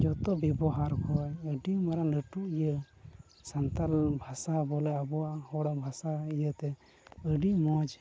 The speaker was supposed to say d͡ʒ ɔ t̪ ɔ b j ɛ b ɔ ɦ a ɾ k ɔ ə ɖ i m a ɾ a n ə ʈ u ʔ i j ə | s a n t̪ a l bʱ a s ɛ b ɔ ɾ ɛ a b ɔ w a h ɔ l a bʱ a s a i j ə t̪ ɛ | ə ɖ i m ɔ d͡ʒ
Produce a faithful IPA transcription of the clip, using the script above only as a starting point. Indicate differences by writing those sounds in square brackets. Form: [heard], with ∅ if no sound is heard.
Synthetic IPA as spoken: d͡ʒ ɔ t̪ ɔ b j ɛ b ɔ ɦ a ɾ k ɔ ə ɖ i m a ɾ a n ə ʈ u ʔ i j ə | s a n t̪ a l bʱ a s [a] b ɔ [l] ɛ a b ɔ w a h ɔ [ɽ] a bʱ a s a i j ə t̪ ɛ | ə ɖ i m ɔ d͡ʒ

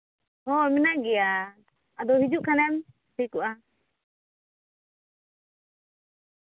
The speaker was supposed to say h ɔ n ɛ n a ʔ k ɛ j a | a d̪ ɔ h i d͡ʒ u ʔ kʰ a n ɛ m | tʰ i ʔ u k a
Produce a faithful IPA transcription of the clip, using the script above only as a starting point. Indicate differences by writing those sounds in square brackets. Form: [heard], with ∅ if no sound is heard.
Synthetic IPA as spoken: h ɔ [m] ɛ n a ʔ [ɡ] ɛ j a | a d̪ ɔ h i d͡ʒ u ʔ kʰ a n ɛ m | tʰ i [k] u [ʔ] a

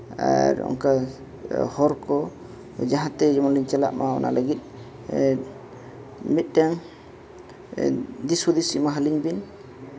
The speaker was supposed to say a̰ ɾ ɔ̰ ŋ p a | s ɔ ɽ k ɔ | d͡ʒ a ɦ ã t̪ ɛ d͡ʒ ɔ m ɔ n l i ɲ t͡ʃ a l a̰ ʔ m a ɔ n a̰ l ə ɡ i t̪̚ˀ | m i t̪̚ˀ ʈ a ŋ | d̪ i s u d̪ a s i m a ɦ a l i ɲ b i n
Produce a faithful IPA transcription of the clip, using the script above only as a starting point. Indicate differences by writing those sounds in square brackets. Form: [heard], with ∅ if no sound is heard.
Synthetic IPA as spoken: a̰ ɾ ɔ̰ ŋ [k] a | [h] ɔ [ɾ] k ɔ | d͡ʒ a ɦ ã t̪ ɛ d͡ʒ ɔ m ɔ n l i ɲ t͡ʃ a l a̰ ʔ m a ɔ n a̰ l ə ɡ i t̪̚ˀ | m i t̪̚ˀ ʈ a ŋ | d̪ i s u d̪ [i] s i m a ɦ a l i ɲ b i n

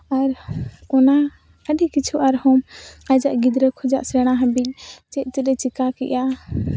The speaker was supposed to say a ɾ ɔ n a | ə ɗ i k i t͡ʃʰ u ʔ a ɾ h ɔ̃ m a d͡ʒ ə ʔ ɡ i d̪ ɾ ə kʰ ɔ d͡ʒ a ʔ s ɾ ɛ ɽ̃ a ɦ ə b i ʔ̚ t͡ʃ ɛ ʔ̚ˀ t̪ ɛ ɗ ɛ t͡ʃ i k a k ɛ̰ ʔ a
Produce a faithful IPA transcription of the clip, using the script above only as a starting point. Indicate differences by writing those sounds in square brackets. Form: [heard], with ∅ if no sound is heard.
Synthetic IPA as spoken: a ɾ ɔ n a | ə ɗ i k i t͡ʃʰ u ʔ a ɾ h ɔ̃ m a d͡ʒ [a] ʔ ɡ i d̪ ɾ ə kʰ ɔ d͡ʒ a ʔ s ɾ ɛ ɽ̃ a ɦ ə b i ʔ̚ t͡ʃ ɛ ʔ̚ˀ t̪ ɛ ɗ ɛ t͡ʃ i k a k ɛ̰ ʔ a

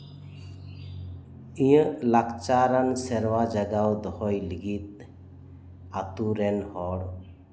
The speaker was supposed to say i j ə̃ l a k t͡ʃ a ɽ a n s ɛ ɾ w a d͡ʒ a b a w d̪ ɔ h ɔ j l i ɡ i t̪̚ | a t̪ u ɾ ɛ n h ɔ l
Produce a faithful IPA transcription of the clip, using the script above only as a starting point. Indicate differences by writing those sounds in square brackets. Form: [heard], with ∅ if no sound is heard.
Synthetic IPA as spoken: i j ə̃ l a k t͡ʃ a [ɾ] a n s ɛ ɾ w a d͡ʒ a [ɡ] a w d̪ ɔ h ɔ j l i ɡ i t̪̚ | a t̪ u ɾ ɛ n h ɔ [ɽ]

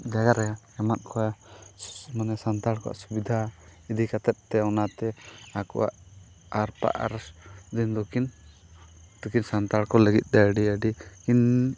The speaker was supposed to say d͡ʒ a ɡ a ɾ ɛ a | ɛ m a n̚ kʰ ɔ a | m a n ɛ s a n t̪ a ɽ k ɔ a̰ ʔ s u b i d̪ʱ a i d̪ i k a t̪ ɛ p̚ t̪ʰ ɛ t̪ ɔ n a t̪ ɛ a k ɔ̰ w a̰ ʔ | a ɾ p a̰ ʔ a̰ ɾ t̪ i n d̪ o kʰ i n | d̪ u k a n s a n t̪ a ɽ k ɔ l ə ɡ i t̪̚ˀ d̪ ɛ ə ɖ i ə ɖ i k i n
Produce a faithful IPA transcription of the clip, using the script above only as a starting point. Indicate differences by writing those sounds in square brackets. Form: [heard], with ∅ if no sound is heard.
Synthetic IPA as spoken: d͡ʒ a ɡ a ɾ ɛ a | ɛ m a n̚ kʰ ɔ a | m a n ɛ s a n t̪ a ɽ k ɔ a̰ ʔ s u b i d̪ʱ a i d̪ i k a t̪ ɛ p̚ [t̪] ɛ [∅] ɔ n a t̪ ɛ a k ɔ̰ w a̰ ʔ | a ɾ p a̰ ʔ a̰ ɾ [d̪] i n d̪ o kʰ i n | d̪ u k [i] n s a n t̪ a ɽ k ɔ l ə ɡ i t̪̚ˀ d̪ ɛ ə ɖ i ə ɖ i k i n

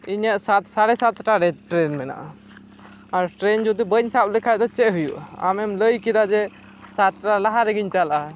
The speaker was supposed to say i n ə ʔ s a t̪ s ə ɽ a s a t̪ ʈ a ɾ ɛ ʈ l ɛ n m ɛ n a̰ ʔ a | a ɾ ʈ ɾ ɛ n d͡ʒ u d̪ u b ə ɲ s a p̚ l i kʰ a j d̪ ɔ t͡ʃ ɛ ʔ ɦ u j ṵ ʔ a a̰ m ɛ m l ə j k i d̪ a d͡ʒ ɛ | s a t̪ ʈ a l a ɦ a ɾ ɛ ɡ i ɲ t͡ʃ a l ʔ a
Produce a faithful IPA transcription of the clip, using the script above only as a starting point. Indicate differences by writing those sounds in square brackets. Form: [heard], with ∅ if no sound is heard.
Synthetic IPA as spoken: i [ɲ] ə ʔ s a t̪ s [a] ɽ [ɛ] s a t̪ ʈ a ɾ ɛ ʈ [ɾ] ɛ n m ɛ n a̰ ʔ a | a ɾ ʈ ɾ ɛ n d͡ʒ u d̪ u b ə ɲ s a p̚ l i kʰ a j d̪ ɔ t͡ʃ ɛ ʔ ɦ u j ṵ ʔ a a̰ m ɛ m l ə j k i d̪ a d͡ʒ ɛ | s a t̪ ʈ a l a ɦ a ɾ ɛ ɡ i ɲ t͡ʃ a l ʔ a

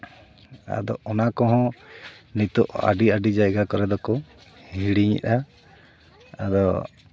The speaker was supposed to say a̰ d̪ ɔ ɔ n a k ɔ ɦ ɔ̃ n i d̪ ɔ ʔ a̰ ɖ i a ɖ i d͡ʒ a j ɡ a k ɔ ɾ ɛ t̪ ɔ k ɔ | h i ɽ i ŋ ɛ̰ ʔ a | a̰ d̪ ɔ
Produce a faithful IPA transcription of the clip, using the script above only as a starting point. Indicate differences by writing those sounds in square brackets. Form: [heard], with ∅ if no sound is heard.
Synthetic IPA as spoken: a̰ d̪ ɔ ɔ n a k ɔ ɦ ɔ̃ n i [t̪] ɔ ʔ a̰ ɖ i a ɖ i d͡ʒ a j ɡ a k ɔ ɾ ɛ [d̪] ɔ k ɔ | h i ɽ i [ɲ] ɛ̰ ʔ a | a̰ d̪ ɔ

